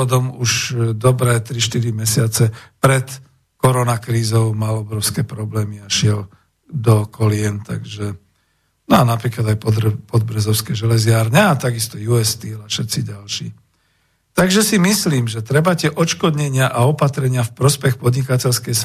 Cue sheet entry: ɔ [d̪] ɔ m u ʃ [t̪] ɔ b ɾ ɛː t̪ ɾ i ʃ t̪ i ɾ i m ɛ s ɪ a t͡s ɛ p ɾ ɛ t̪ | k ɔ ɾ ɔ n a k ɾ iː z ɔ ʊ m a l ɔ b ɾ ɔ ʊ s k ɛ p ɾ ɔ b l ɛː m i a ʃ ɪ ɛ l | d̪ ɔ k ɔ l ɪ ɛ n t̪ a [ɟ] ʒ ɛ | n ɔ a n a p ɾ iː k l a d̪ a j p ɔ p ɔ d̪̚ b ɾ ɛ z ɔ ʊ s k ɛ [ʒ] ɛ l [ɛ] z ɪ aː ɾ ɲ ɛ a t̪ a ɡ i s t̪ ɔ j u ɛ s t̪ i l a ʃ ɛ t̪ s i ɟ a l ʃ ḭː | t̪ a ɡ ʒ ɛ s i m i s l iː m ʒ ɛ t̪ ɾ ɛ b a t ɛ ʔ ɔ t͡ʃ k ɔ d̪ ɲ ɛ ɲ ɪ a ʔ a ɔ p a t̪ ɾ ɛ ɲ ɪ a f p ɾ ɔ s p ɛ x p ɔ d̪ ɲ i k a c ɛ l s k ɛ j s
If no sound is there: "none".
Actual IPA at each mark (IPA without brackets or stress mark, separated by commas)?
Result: d̪, d̪, ɡ, ʒ, ɛ